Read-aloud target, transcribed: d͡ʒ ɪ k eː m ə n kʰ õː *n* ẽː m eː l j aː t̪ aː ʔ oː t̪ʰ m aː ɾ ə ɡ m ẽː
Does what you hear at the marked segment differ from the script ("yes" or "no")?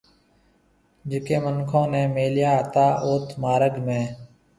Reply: no